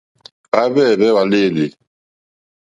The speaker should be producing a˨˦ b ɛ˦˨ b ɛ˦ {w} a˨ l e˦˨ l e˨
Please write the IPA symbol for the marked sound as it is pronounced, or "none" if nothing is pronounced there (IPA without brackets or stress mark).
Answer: w